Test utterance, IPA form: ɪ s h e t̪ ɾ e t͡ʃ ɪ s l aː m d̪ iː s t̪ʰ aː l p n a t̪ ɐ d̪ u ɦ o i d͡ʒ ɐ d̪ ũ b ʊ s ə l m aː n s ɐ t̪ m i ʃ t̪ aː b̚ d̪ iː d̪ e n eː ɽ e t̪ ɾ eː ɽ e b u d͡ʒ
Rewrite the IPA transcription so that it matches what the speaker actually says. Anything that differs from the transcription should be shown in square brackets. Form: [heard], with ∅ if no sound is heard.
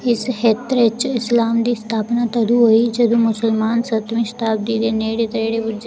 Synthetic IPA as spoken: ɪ s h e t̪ ɾ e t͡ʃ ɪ s l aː m d̪ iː s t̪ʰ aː [∅] p n a t̪ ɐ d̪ u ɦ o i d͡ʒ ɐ d̪ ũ [m] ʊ s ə l m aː n s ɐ t̪ m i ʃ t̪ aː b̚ d̪ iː d̪ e n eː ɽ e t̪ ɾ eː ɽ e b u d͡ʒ